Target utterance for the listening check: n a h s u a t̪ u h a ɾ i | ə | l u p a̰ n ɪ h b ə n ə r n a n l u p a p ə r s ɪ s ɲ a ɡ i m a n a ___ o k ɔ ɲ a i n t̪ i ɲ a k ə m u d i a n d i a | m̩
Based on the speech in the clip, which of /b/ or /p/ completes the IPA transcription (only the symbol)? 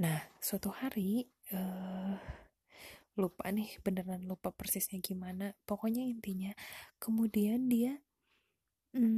p